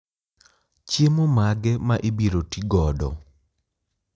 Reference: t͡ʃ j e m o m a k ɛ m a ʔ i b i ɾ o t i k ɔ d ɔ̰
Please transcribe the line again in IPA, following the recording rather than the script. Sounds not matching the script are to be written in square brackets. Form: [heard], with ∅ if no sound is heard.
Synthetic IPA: t͡ʃ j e m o m a [ɡ] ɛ m a ʔ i b i ɾ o t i [ɡ] ɔ d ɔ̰